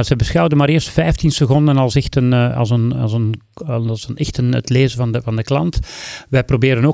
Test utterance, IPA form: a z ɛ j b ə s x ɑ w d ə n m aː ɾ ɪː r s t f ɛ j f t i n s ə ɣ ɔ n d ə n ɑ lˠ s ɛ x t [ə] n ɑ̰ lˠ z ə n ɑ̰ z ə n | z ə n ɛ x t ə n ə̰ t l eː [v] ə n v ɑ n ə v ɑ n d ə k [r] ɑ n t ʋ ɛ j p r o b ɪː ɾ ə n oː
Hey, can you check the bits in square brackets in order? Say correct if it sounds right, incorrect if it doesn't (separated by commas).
correct, incorrect, incorrect